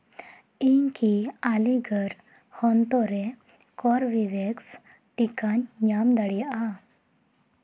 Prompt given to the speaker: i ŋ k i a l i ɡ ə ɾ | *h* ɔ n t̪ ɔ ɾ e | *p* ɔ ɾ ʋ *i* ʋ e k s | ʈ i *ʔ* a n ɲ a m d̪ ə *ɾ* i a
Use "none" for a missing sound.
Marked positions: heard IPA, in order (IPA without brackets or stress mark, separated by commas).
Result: h, k, i, k, ɽ